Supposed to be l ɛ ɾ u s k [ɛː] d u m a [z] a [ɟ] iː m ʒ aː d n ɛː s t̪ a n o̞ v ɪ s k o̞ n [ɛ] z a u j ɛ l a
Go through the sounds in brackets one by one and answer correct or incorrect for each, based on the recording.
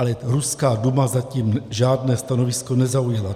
incorrect: aː, correct, incorrect: c, correct

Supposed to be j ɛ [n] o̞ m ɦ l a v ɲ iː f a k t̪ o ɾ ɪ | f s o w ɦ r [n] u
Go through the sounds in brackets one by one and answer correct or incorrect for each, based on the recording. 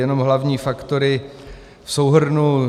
correct, correct

